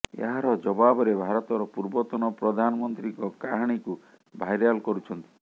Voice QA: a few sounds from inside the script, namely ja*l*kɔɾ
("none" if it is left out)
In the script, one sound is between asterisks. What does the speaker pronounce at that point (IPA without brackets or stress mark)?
l